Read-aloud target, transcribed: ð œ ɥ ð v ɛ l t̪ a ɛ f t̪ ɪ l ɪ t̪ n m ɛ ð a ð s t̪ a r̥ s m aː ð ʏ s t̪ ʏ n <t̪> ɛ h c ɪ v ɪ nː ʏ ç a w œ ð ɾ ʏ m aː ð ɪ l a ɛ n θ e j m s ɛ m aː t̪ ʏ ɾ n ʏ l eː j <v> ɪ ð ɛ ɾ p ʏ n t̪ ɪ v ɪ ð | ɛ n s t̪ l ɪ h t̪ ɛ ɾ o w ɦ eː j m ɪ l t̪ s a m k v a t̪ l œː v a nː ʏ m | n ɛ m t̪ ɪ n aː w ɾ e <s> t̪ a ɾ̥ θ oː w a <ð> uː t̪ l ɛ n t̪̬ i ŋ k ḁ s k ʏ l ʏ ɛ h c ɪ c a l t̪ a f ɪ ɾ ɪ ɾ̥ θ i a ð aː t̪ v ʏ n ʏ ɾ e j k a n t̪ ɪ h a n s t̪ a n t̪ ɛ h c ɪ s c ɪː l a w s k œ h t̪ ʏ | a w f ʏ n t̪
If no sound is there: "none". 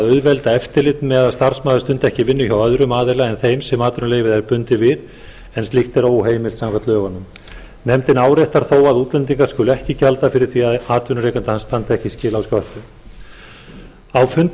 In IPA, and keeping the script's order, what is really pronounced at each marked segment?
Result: t̪, v, h, ð

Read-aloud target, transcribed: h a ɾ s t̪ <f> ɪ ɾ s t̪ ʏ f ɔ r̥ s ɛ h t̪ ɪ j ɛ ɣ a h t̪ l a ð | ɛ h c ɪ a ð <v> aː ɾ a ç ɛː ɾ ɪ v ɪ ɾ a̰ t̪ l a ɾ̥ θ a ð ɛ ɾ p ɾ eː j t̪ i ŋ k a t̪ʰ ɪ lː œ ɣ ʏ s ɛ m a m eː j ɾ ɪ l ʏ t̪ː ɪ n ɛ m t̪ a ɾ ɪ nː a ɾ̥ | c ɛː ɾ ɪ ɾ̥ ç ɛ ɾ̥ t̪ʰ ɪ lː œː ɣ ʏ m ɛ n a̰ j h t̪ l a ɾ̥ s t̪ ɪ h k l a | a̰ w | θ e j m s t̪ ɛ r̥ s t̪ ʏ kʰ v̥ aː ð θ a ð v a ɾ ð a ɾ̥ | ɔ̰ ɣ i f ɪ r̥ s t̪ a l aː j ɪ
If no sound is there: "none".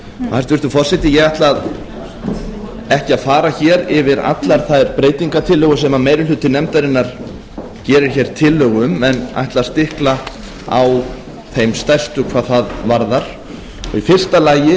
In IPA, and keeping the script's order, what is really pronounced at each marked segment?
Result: v, f

